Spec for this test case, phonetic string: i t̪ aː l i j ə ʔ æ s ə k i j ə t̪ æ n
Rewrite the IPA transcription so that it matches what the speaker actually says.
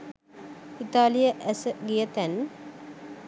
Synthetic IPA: i t̪ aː l i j ə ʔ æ s ə ɡ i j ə t̪ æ n